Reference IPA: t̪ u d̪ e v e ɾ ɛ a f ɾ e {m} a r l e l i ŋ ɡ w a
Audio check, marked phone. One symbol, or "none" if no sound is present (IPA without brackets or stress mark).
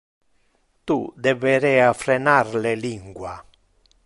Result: n